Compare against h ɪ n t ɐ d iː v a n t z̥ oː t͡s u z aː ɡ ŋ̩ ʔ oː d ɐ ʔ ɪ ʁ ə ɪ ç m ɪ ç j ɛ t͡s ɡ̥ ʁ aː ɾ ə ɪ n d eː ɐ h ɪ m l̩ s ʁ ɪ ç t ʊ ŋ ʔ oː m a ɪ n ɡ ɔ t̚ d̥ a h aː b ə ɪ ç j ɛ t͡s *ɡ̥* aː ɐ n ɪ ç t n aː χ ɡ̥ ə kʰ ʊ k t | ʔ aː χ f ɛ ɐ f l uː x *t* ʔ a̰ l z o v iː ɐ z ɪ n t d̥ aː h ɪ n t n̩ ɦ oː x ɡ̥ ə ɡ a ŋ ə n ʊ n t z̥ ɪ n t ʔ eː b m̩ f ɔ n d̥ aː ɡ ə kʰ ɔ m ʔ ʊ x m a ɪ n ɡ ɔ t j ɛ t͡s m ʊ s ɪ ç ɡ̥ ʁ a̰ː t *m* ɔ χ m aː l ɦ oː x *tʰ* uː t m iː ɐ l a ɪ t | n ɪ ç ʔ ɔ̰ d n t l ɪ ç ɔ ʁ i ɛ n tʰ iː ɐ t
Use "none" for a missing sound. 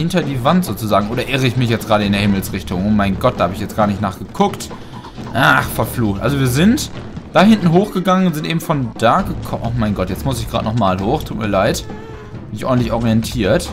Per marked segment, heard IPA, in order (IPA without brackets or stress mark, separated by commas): ɡ̥, t, n, tʰ